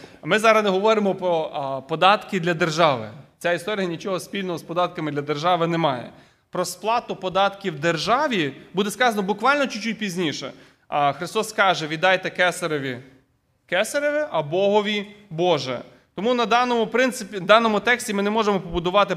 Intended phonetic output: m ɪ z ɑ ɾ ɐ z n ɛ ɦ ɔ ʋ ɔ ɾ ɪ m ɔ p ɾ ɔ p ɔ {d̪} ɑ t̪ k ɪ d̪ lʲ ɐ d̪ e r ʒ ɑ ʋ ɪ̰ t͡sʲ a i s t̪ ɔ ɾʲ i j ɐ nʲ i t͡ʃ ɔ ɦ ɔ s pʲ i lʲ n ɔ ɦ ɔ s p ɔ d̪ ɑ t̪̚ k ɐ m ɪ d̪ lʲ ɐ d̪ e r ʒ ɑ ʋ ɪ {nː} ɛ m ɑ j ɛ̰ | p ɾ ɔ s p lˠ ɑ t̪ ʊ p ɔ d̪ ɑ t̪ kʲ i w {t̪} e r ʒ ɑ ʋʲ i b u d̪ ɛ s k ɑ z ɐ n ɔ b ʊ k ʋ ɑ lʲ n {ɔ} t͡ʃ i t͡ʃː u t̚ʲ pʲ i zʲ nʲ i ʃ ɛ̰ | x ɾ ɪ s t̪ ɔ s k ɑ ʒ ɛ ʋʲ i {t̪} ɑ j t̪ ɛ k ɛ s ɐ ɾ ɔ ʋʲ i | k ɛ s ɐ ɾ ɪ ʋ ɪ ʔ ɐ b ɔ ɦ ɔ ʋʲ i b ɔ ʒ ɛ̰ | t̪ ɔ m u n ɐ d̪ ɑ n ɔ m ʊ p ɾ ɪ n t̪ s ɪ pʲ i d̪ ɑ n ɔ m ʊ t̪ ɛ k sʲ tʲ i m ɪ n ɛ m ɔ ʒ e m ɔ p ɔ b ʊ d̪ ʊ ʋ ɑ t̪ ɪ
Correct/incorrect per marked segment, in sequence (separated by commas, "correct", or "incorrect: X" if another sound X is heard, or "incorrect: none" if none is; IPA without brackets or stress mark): correct, incorrect: n, incorrect: d̪, correct, incorrect: d̪